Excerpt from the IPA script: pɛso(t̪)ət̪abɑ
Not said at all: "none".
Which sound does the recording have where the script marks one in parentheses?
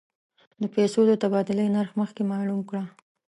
d̪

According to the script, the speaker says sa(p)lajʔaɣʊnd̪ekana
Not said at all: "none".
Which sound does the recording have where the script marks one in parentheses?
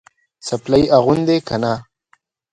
p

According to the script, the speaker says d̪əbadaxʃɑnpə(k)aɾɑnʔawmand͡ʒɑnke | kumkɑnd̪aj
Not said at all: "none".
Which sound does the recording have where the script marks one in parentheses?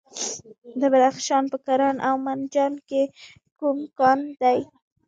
k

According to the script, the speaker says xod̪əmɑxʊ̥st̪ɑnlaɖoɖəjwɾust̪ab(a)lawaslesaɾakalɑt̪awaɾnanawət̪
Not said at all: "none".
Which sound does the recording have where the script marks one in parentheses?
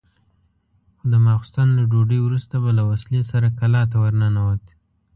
a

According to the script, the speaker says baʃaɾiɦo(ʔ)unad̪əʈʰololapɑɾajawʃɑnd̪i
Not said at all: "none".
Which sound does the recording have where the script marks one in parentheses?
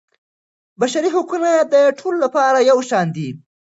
k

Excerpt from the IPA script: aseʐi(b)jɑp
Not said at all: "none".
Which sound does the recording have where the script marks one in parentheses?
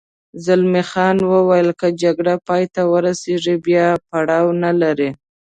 b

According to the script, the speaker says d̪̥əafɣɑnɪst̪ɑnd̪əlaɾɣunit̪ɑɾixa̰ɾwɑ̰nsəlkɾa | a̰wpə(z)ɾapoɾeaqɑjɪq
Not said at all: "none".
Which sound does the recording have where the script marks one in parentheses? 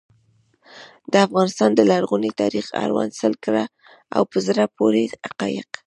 z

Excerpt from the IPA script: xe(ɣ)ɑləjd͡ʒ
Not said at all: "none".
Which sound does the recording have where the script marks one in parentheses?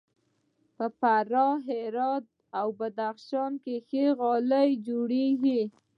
ɣ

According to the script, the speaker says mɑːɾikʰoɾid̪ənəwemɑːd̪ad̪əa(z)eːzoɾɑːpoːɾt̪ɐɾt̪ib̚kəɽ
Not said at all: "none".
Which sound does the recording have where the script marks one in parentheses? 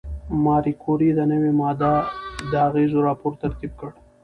ɣ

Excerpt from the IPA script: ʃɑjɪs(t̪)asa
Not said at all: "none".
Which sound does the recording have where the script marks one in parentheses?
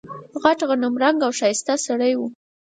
t̪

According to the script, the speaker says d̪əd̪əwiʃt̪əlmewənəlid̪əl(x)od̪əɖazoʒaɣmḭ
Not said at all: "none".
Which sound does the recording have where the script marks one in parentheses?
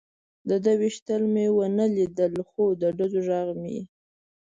x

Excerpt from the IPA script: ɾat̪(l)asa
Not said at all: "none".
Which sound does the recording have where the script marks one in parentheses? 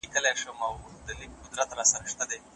ɾ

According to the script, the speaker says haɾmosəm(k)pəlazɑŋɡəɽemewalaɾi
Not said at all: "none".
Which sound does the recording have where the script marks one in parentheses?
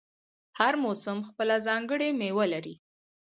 x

